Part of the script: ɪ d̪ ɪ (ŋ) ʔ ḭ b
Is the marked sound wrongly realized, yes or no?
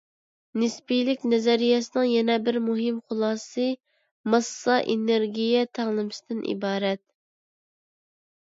yes